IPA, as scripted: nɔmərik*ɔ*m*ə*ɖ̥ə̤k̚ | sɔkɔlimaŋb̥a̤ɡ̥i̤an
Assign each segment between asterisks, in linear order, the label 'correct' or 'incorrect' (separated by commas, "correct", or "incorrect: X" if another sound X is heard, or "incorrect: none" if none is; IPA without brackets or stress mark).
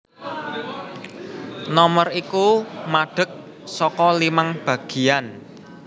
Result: incorrect: u, incorrect: a